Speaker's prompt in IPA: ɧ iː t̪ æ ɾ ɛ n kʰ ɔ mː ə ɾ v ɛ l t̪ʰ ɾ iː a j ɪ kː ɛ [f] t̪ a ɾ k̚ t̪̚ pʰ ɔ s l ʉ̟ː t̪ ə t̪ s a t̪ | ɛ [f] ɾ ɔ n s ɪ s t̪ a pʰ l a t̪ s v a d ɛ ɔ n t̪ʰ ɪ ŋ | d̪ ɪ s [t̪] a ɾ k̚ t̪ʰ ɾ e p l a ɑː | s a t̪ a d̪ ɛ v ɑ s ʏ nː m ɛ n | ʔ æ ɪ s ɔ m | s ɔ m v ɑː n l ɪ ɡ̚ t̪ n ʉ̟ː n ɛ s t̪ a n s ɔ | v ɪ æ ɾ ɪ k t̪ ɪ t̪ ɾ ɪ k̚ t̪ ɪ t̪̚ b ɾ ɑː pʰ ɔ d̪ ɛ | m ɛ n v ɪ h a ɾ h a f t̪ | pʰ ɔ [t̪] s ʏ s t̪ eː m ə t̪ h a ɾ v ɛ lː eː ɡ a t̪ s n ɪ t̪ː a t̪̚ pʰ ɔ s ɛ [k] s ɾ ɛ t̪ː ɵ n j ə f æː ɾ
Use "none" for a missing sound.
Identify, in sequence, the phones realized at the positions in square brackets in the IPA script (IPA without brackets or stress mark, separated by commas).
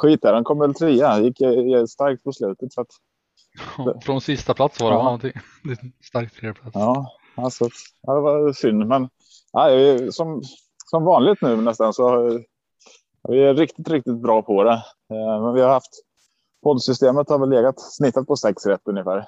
s, f, t̪, d̪, k